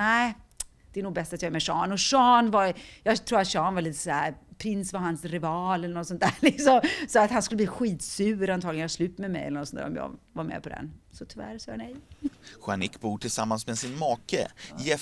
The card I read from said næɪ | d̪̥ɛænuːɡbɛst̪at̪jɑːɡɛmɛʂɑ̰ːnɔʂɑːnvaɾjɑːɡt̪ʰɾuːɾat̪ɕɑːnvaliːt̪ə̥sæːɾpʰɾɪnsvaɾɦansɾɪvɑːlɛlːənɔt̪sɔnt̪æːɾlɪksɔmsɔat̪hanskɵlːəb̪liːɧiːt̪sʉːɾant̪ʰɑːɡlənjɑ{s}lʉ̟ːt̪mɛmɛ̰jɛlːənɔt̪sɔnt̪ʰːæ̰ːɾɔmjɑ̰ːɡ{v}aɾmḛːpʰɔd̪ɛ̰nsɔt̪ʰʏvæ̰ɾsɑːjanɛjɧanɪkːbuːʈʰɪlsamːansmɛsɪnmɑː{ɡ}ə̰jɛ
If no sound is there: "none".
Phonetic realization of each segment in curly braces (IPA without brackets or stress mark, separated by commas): s, v, k